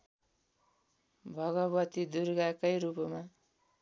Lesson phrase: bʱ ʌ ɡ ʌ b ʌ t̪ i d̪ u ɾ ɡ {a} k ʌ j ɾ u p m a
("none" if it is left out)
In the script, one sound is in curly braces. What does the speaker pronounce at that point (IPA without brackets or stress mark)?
a